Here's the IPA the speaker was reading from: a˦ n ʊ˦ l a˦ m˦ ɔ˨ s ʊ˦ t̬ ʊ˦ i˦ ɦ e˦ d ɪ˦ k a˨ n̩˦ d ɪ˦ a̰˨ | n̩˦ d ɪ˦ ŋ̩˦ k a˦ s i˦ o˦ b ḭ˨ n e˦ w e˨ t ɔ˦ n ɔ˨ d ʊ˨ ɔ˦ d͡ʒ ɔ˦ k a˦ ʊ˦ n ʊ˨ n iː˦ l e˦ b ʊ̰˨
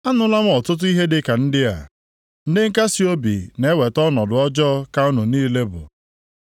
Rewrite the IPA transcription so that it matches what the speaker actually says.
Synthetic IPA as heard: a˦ n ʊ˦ l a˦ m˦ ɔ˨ t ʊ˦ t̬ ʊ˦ i˦ ɦ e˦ d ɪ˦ k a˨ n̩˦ d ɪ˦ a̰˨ | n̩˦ d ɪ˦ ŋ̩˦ k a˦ s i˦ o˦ b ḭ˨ n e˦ w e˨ t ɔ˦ n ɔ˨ d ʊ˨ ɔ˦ d͡ʒ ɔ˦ k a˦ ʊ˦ n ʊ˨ n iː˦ l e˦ b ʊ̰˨